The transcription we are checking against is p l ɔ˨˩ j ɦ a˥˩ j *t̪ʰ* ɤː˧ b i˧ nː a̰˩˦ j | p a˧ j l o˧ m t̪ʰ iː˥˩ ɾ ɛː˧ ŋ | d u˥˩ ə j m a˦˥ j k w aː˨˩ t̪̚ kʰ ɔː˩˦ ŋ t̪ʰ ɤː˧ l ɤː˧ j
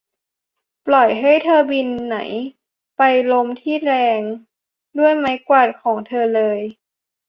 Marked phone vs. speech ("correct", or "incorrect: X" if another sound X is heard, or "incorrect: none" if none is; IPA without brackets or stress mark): correct